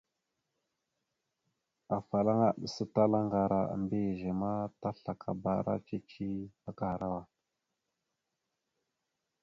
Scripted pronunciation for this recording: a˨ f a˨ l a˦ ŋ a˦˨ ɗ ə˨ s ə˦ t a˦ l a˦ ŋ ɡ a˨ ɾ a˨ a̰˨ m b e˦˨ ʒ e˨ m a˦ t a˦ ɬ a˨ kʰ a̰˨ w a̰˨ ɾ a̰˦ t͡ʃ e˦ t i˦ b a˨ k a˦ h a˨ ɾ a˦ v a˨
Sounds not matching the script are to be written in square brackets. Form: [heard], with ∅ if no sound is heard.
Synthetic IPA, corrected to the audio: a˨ f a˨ l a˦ ŋ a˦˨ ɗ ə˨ s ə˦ t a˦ l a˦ ŋ ɡ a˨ ɾ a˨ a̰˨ m b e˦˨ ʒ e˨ m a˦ t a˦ ɬ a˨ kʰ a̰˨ [b] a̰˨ ɾ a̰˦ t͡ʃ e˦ [t͡ʃ] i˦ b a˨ k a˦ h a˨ ɾ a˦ [w] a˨